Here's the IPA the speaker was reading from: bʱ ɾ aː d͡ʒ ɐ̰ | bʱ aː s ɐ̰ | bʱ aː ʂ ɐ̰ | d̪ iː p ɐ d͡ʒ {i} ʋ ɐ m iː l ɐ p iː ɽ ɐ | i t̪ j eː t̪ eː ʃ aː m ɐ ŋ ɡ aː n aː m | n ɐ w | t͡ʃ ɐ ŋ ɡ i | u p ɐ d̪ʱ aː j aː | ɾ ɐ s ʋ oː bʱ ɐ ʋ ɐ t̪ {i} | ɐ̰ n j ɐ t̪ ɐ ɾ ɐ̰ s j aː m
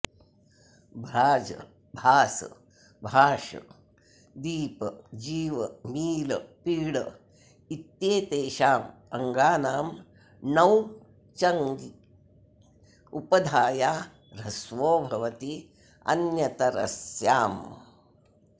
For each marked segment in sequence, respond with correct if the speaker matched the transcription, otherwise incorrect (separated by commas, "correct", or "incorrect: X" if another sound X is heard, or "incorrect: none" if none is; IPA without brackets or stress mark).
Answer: incorrect: iː, correct